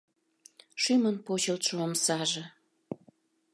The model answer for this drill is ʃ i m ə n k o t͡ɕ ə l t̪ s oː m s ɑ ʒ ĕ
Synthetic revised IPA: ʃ y m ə n p o t͡ɕ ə l t̪ ʃ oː m s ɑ ʒ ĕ